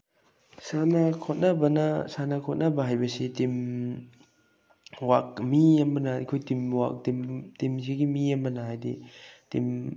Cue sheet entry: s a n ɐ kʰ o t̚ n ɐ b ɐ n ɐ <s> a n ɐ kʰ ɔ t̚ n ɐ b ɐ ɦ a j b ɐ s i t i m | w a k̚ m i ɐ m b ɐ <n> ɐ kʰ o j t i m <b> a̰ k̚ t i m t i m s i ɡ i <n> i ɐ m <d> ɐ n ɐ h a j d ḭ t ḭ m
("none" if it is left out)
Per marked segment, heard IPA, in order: s, n, w, m, b

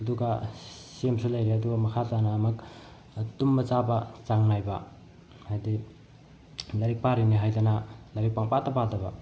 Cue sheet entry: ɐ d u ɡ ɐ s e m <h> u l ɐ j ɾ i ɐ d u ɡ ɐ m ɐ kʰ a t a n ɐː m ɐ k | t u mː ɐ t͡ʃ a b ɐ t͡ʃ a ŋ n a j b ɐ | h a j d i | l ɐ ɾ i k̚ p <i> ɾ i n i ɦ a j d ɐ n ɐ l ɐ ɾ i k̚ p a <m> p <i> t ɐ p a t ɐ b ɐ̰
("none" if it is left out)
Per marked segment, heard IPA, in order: s, a, ŋ, a

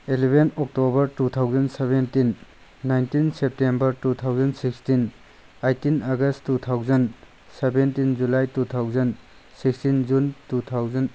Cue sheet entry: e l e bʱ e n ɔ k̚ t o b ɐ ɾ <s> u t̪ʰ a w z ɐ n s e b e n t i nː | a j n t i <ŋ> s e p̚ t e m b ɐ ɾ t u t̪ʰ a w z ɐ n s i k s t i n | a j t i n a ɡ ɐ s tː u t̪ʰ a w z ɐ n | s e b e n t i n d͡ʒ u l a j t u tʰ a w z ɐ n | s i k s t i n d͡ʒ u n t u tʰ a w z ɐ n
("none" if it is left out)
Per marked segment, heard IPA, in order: t, n

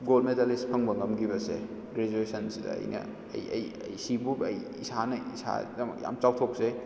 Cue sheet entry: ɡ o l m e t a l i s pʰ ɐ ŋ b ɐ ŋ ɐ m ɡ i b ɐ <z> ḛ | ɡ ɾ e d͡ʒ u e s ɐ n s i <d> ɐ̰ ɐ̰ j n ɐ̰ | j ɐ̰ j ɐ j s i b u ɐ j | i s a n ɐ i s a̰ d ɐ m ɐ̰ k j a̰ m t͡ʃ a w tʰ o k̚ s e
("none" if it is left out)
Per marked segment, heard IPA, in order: s, d

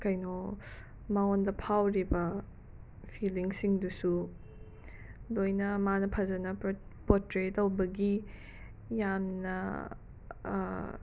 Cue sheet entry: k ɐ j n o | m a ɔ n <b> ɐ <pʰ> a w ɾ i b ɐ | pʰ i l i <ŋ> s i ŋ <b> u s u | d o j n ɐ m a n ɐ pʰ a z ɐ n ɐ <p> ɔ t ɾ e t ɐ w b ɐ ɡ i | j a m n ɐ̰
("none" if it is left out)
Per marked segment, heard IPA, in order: d, pʰ, ŋ, d, p

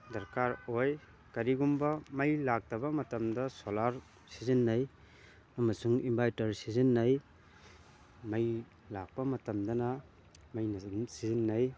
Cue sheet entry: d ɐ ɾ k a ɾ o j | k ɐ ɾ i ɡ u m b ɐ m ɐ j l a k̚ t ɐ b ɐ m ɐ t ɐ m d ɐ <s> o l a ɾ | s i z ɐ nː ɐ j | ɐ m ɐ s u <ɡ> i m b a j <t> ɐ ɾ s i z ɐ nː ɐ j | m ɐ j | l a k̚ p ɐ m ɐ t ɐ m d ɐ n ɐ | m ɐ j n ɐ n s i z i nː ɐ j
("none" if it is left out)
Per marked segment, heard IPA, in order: s, ŋ, t

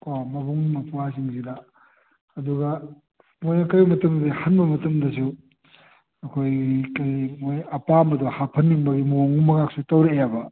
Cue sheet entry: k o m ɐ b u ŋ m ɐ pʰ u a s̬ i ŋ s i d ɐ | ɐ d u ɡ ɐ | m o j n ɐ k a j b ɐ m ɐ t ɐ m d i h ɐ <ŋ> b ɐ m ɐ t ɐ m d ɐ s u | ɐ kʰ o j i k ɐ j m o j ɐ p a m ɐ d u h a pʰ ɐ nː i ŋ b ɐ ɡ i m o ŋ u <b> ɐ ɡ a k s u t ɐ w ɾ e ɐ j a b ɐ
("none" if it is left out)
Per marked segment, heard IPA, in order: n, m

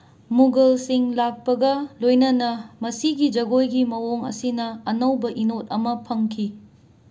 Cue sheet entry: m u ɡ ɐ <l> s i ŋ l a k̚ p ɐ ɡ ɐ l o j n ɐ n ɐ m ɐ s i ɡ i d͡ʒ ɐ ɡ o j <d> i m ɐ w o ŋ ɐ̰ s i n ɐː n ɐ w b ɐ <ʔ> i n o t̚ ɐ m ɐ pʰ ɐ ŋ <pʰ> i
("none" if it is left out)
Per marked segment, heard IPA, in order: l, ɡ, ʔ, kʰ

